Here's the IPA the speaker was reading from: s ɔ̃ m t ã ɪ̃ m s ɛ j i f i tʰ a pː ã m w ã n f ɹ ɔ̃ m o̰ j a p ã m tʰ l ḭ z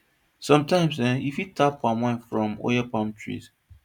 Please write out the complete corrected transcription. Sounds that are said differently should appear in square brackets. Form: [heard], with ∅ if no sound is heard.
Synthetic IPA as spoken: s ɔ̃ m t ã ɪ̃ m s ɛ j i f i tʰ a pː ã m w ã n f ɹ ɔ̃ m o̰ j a p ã m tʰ [ɹ] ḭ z